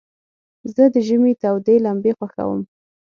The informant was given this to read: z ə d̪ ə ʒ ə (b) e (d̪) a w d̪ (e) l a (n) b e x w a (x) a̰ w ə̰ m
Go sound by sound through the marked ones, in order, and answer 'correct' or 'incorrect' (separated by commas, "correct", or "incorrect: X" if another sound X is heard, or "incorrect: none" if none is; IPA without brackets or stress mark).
incorrect: m, incorrect: t̪, correct, incorrect: m, correct